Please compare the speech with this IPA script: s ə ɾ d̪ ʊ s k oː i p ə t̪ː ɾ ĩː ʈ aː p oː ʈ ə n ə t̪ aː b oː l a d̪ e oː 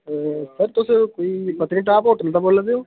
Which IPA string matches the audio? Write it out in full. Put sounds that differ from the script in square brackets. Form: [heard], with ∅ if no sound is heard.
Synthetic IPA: s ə ɾ [t̪] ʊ s k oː i p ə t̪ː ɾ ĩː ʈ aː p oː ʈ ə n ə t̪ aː b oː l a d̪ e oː